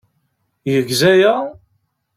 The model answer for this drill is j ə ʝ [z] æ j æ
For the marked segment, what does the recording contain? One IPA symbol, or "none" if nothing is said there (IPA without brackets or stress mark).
z